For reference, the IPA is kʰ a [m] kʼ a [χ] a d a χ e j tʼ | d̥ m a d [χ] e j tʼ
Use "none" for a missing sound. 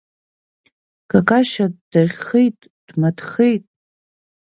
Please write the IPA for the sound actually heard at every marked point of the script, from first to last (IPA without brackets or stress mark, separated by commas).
none, ʃ, χ